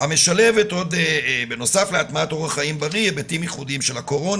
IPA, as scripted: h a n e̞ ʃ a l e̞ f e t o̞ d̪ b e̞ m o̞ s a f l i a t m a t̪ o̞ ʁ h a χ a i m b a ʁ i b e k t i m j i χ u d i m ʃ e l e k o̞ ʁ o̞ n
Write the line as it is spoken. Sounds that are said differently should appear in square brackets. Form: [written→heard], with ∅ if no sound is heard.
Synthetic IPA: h a [n→m] e̞ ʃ a l e̞ [f→v] e t o̞ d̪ b e̞ [m→n] o̞ s a f l [i→e] a t m a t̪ o̞ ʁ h a χ a i m b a ʁ i b e [k→∅] t i m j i χ u d i m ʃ e l [e→a] k o̞ ʁ o̞ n

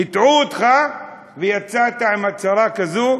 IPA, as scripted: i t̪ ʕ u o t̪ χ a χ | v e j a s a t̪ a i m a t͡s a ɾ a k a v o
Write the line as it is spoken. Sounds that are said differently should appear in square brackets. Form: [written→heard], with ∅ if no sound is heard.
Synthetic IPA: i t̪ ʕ u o t̪ χ a [χ→∅] | v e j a [s→t͡s] a t̪ a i m a t͡s a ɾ a k a [v→z] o

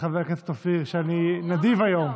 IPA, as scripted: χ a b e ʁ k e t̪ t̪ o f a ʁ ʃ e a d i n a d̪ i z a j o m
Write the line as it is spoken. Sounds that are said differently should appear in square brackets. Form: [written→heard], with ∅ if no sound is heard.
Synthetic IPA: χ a [b→v] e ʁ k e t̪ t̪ o f [a→i] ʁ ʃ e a [d→n] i n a d̪ i [z→v] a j o m

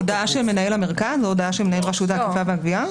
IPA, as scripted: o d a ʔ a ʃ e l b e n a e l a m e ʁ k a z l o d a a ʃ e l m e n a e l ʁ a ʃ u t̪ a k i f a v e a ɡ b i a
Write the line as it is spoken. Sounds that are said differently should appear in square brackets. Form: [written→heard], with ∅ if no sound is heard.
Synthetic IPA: o d a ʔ a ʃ e l [b→m] e n a e l a m e ʁ k a z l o d a a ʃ e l m e n a e l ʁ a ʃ u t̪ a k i f a v e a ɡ [b→v] i a

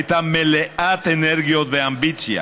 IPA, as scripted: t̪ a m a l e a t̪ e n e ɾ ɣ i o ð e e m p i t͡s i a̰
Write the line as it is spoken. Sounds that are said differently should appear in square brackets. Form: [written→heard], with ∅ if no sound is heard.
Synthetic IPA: t̪ a m [a→e] l e a t̪ e n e ɾ ɣ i o ð e [e→a] m [p→b] i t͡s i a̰

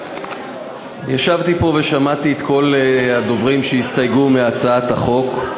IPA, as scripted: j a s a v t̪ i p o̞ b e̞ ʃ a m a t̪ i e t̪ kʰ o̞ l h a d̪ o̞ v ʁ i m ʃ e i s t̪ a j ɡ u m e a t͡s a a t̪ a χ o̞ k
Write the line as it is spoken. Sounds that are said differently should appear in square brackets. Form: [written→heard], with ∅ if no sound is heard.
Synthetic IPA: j a [s→ʃ] a v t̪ i p o̞ [b→v] e̞ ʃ a m a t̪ i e t̪ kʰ o̞ l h a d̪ o̞ v ʁ i m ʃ e i s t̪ a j ɡ u m e a t͡s a a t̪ a χ o̞ k

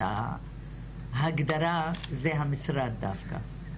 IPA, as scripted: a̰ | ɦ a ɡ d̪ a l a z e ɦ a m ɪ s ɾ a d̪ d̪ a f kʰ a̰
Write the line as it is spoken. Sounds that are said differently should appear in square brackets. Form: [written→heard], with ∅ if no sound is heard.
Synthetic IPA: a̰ | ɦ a ɡ d̪ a [l→ɾ] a z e ɦ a m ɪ s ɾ a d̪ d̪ a f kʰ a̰

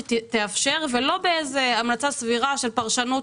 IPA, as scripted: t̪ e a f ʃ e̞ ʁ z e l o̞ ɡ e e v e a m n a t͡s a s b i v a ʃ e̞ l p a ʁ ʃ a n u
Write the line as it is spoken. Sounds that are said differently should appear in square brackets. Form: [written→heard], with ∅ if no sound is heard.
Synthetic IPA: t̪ e a f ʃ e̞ ʁ [z→v] e l o̞ [ɡ→b] e e [v→z] e a m n a t͡s a s [b→v] i [v→ʁ] a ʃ e̞ l p a ʁ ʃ a n u

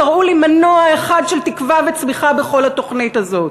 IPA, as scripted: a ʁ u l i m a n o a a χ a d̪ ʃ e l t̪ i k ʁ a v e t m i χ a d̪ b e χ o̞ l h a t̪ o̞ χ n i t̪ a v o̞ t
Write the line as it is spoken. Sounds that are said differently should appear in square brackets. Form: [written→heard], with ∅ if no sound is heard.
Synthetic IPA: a ʁ u l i m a n o a [a→e] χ a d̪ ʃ e l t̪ i k [ʁ→v] a v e [t→t͡s] m i χ a [d̪→∅] b e χ o̞ l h a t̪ o̞ χ n i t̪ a [v→z] o̞ t

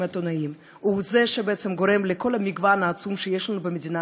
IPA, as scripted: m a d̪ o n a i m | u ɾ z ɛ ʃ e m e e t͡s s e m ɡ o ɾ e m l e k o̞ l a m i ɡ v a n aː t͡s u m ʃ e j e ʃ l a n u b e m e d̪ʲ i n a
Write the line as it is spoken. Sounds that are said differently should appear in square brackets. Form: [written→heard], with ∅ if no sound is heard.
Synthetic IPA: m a [d̪→t̪] o n a i m | u [ɾ→∅] z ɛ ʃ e [m→b] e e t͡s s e m ɡ o ɾ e m l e k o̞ l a m i ɡ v a n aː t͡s u m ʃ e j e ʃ l a n u b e m e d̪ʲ i n a

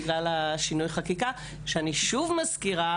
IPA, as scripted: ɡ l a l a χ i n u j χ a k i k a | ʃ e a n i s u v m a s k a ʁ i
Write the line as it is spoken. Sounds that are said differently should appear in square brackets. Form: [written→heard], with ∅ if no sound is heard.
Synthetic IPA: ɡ l a l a [χ→ʃ] i n u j χ a k i k a | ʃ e a n i [s→ʃ] u v m a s k [a→i] ʁ [i→a]

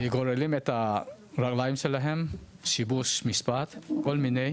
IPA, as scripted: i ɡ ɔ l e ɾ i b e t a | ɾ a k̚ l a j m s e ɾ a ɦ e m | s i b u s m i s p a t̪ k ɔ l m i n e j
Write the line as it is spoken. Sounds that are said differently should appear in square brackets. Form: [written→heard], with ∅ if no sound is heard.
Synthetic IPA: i ɡ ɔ [l→ɾ] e [ɾ→l] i [b→m] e t a | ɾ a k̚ l a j m s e [ɾ→l] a ɦ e m | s i b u s m i s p a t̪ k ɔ l m i n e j

